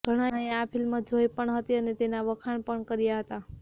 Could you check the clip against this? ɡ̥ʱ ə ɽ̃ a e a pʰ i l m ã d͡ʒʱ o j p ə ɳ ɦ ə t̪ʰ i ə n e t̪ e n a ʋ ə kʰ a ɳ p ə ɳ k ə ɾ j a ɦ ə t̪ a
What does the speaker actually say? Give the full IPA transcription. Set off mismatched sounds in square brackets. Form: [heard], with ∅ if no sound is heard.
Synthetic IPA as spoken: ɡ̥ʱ ə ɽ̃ a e a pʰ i l m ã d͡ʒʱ o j p ə ɳ ɦ ə [t̪] i ə n e t̪ e n a ʋ ə kʰ a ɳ p ə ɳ k ə ɾ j a ɦ ə t̪ a